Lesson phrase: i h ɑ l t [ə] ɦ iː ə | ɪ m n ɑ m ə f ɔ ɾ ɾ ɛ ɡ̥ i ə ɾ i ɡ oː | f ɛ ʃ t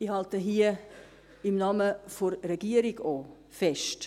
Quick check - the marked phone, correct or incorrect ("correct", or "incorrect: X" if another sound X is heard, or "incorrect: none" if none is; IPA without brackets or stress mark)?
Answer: correct